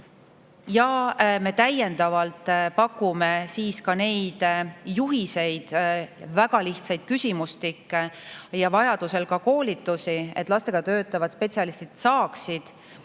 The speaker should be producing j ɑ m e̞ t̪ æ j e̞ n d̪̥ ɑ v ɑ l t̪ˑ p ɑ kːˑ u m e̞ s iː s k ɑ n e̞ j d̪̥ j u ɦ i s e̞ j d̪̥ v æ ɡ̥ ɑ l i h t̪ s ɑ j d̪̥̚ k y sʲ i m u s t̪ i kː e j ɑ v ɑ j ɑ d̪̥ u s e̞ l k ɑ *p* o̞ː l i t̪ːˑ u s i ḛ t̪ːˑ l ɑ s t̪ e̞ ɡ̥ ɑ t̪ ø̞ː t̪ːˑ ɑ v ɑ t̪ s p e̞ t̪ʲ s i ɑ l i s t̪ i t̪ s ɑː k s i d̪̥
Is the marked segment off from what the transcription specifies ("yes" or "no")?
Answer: yes